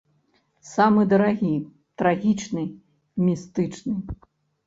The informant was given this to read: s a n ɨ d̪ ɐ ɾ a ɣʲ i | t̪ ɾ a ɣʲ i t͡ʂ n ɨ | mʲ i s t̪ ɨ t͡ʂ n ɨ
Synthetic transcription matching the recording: s a m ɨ d̪ ɐ ɾ a ɣʲ i | t̪ ɾ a ɣʲ i t͡ʂ n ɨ | mʲ i s t̪ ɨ t͡ʂ n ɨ